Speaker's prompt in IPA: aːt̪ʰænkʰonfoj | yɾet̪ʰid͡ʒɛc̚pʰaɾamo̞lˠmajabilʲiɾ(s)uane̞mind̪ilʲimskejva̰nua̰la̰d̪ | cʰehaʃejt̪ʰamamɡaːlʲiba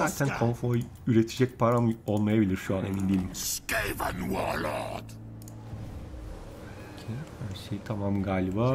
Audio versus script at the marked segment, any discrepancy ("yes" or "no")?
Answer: yes